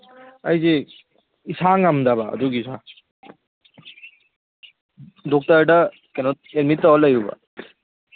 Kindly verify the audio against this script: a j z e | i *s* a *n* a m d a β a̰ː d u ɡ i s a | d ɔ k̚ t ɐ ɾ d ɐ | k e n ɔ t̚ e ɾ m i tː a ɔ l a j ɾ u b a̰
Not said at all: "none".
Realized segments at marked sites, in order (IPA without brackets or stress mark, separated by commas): s, ŋ